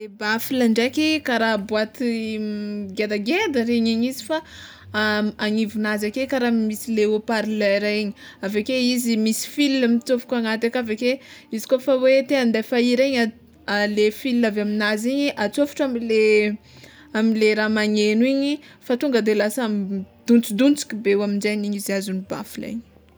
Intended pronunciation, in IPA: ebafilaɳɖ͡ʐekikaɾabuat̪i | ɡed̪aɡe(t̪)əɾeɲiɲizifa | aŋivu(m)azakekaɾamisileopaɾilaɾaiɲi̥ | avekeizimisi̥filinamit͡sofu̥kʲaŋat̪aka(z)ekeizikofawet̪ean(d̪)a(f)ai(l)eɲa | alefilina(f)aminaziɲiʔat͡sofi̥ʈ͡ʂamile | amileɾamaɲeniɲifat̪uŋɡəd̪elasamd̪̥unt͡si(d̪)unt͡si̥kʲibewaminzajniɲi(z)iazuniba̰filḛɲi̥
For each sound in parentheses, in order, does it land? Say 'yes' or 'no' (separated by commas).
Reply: no, no, no, yes, yes, no, no, yes, yes